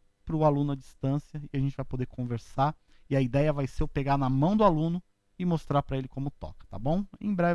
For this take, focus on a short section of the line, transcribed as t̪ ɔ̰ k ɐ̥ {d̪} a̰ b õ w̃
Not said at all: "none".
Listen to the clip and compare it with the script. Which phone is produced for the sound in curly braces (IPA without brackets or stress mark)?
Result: t̪